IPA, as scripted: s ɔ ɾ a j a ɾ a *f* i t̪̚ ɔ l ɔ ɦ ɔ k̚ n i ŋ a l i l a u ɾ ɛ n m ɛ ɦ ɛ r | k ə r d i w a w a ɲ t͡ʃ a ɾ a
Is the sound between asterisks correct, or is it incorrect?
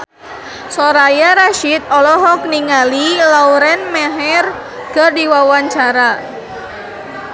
incorrect